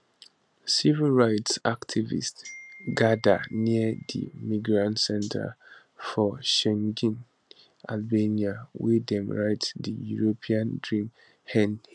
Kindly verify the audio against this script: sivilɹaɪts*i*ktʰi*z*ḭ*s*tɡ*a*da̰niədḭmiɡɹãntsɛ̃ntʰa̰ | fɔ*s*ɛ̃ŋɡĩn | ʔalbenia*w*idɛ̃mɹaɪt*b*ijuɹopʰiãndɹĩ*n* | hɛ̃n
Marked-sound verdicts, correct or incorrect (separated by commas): incorrect, incorrect, correct, correct, incorrect, correct, incorrect, incorrect